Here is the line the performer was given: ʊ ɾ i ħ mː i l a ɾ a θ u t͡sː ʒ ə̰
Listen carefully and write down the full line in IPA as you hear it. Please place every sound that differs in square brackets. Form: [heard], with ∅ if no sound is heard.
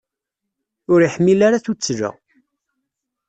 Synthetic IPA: ʊ ɾ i ħ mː i l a ɾ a θ u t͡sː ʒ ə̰